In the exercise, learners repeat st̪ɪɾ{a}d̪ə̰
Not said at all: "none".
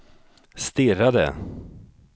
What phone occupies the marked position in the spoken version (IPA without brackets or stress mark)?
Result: a